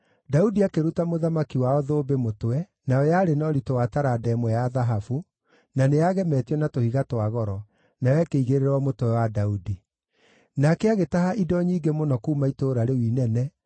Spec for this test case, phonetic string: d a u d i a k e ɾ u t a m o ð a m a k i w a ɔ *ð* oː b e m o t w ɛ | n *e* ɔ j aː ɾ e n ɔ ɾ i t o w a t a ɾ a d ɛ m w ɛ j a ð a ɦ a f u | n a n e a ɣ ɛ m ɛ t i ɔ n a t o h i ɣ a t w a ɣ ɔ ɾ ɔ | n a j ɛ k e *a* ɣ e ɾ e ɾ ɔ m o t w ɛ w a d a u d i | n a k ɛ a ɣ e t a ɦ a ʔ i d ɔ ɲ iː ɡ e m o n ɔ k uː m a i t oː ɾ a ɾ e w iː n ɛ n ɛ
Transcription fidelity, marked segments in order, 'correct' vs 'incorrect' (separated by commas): correct, incorrect, incorrect